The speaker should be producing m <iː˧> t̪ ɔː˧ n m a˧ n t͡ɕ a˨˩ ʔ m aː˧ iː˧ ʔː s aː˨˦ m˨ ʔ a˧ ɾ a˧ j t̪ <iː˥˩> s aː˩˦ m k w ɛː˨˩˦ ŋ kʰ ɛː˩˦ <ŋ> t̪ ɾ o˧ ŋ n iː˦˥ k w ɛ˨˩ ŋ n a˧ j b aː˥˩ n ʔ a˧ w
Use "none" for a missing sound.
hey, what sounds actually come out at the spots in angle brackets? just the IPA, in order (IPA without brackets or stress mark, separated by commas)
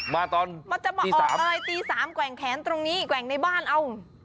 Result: aː˧, iː˧, n